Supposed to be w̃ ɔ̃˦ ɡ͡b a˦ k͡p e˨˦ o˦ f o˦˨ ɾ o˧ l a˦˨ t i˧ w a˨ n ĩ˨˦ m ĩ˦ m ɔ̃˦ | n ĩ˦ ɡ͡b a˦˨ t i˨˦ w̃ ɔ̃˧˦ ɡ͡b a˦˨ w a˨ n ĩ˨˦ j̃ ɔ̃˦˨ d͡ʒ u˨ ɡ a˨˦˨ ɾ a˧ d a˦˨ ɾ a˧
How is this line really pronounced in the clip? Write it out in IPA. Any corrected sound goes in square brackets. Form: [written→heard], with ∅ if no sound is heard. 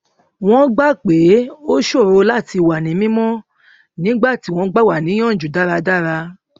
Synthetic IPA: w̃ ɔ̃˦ ɡ͡b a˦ k͡p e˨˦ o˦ [f→ʃ] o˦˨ ɾ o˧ l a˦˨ t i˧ w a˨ n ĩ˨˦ m ĩ˦ m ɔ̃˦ | n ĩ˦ ɡ͡b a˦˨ t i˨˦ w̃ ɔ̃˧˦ ɡ͡b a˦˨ w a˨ n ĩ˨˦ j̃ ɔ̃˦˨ d͡ʒ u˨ [ɡ→d] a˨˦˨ ɾ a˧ d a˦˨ ɾ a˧